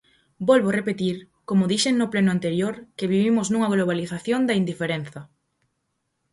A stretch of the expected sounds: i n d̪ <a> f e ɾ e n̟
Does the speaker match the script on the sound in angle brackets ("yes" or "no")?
no